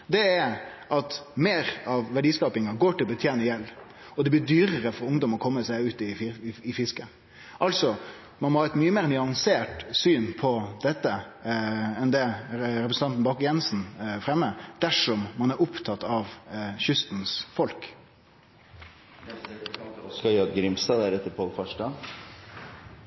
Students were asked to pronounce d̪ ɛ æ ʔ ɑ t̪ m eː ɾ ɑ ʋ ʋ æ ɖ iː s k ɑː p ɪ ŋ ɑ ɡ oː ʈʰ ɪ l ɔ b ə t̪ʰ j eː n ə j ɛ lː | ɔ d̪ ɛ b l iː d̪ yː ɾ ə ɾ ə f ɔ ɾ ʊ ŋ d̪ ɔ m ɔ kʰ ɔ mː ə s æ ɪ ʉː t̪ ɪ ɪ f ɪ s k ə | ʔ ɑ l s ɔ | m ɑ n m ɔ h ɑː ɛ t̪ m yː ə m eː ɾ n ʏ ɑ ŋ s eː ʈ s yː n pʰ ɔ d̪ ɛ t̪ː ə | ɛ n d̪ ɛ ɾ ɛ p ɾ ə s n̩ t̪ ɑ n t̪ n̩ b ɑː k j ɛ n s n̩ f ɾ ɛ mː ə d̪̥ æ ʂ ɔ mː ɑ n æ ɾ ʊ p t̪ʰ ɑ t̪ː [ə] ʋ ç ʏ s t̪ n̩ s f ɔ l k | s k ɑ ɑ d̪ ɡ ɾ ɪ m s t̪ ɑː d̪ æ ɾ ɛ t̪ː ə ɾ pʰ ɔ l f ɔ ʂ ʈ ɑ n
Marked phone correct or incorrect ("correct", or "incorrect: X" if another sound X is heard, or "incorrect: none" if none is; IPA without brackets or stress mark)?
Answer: incorrect: ɑ